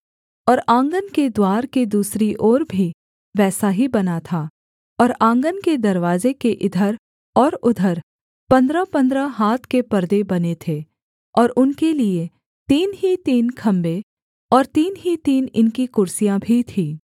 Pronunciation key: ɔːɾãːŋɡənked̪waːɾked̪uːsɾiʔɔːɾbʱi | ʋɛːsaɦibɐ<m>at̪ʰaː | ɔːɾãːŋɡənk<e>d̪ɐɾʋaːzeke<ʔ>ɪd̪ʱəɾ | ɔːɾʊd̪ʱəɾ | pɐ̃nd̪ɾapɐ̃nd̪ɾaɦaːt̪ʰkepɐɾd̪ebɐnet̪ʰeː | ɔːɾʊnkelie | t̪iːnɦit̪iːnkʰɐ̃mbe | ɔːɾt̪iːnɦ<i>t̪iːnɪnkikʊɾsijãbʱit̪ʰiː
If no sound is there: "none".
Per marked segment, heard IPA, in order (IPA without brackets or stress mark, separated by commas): n, e, ʔ, i